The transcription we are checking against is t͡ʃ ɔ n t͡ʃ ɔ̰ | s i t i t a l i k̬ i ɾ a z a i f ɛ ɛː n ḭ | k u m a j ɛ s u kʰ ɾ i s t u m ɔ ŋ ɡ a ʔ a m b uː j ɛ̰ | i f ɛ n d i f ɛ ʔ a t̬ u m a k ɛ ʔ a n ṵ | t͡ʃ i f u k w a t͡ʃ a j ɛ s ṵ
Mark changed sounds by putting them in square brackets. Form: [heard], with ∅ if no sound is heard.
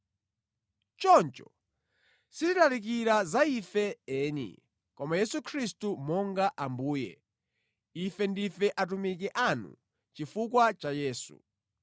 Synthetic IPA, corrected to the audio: t͡ʃ ɔ n t͡ʃ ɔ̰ | s i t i t a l i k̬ i ɾ a z a i f ɛ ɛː n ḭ | k [ɔ] m a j ɛ s u kʰ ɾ i s t u m ɔ ŋ ɡ a ʔ a m b uː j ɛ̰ | i f ɛ n d i f ɛ ʔ a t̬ u m [i] k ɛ ʔ a n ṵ | t͡ʃ i f u k w a t͡ʃ a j [ɛː] s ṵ